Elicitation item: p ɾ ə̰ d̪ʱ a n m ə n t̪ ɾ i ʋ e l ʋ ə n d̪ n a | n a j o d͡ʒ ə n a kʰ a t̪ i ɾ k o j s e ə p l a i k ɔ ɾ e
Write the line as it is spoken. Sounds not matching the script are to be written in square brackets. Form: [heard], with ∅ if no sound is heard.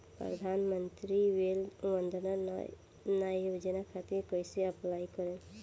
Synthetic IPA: p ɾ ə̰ d̪ʱ a n m ə n t̪ ɾ i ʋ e l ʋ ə n d̪ n a | n a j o d͡ʒ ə n a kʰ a t̪ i ɾ k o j s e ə p l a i k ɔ ɾ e